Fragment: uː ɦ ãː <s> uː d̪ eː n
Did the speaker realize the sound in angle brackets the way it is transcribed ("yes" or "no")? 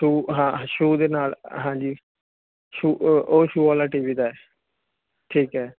no